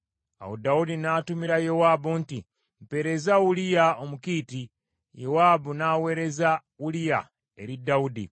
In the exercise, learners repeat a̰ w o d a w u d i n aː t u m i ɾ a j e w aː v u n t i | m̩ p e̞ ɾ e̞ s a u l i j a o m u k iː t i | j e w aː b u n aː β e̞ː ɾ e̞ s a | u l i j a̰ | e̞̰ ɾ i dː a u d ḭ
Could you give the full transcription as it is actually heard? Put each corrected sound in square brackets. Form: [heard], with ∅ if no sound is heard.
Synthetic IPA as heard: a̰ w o d a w u d i n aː t u m i ɾ a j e w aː [b] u n t i | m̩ p e̞ ɾ e̞ [z] a u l i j a o m u k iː t i | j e w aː b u n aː [w] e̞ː ɾ e̞ [z] a | u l i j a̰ | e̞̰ ɾ i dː a u d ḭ